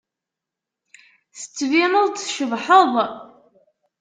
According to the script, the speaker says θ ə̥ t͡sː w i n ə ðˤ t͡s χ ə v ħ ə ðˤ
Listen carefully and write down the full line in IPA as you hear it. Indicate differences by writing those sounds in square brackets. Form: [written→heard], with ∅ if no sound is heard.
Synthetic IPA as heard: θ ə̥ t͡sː [w→v] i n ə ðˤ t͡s [χ→ʃ] ə v ħ ə ðˤ